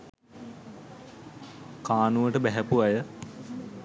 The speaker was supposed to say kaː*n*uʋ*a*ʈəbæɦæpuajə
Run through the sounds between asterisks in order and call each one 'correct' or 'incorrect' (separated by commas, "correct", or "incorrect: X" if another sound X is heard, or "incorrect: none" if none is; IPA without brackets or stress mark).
correct, incorrect: ə